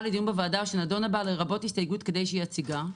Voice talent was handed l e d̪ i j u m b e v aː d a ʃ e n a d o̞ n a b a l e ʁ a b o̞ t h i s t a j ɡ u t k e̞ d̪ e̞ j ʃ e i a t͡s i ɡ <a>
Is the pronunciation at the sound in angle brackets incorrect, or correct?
correct